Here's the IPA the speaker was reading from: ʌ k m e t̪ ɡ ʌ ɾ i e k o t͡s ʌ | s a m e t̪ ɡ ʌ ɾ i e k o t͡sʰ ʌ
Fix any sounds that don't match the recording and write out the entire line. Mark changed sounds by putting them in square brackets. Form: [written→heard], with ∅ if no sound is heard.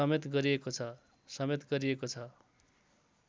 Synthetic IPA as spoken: ʌ [k→∅] m e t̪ ɡ ʌ ɾ i e k o [t͡s→t͡sʰ] ʌ | s [a→ʌ] m e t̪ ɡ ʌ ɾ i e k o t͡sʰ ʌ